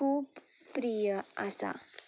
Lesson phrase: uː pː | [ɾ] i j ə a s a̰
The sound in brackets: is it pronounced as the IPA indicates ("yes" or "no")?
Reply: yes